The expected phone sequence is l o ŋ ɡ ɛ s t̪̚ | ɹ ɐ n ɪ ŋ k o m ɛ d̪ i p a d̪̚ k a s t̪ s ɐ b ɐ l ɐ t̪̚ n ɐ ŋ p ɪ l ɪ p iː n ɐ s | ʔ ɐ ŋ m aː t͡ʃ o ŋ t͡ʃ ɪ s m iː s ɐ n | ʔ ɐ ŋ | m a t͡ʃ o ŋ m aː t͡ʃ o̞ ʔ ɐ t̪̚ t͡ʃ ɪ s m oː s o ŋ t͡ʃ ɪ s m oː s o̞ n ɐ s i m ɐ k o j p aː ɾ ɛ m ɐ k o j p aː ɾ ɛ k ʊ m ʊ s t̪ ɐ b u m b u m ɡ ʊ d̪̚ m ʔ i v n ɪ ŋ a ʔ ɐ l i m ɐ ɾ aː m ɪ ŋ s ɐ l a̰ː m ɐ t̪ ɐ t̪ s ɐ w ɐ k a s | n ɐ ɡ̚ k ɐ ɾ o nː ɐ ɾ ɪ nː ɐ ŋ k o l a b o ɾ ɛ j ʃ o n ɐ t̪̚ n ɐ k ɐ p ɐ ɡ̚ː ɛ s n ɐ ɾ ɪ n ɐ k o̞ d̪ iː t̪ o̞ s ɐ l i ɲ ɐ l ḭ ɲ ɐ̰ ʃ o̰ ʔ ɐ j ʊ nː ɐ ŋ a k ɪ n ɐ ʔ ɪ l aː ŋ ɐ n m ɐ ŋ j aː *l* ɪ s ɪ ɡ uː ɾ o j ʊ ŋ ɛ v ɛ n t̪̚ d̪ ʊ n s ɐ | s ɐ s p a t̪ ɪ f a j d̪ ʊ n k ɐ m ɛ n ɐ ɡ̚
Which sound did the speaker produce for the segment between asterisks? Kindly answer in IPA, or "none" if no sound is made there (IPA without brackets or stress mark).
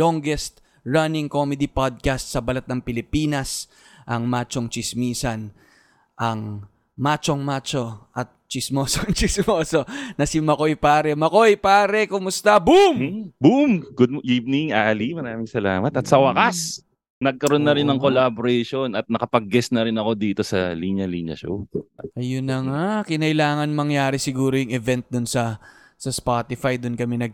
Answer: ɾ